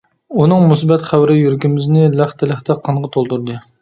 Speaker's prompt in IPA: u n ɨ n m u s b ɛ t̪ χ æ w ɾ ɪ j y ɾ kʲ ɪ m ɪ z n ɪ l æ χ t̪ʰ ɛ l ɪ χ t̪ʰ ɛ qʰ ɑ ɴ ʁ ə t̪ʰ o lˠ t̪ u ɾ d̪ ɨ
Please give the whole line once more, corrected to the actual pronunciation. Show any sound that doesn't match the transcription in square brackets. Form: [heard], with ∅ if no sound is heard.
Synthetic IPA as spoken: u n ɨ [ŋ] m u s b ɛ t̪ χ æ w ɾ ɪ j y ɾ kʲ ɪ m ɪ z n ɪ l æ χ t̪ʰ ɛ l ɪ χ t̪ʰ ɛ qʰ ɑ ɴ ʁ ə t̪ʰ o lˠ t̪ u ɾ d̪ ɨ